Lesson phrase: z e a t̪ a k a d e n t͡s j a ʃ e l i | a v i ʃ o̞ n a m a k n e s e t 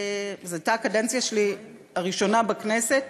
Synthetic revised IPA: z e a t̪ a k a d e n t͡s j a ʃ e l i | a ʁ i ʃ o̞ n a b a k n e s e t